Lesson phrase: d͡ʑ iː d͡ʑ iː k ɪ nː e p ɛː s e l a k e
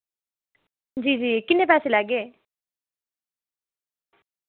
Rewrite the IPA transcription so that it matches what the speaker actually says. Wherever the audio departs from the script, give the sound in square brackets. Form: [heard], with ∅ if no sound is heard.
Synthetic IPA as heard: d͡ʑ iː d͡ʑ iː k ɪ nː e p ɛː s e l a [ɡ] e